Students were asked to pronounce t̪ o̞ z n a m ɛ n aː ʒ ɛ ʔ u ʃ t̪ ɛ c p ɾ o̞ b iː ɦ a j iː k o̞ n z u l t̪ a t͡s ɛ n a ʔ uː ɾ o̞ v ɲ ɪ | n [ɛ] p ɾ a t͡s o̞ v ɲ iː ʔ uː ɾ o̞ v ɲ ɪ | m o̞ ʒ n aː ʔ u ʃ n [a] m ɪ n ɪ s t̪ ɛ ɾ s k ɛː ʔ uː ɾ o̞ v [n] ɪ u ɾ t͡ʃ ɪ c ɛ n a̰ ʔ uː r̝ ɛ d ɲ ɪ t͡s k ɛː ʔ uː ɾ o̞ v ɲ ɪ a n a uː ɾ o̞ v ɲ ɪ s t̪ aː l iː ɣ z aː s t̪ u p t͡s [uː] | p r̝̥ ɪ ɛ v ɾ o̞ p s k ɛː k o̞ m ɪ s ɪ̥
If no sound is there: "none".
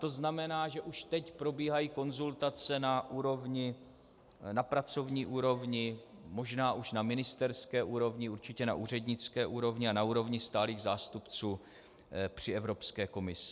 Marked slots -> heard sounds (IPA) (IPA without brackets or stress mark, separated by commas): a, a, ɲ, uː